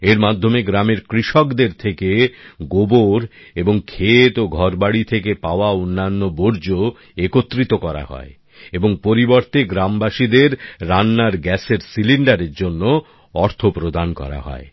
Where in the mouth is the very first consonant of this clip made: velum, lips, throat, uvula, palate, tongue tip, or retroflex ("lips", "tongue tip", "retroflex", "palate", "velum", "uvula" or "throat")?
tongue tip